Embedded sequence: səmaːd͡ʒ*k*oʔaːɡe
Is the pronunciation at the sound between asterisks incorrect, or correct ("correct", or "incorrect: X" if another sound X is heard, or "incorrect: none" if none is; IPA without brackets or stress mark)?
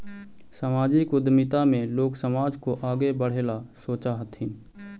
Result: correct